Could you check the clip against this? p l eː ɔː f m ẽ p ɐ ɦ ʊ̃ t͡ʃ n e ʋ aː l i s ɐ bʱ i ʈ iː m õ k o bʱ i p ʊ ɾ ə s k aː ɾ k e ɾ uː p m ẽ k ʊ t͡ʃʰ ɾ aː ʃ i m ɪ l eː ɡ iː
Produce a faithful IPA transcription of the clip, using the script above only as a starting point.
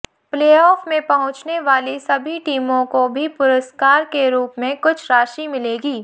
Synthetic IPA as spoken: p l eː ɔː f m ẽ p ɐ ɦ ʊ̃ t͡ʃ n e ʋ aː l i s ɐ bʱ i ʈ iː m õ k o bʱ i p ʊ ɾ ə s k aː ɾ k e ɾ uː p m ẽ k ʊ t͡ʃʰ ɾ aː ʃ i m ɪ l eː ɡ iː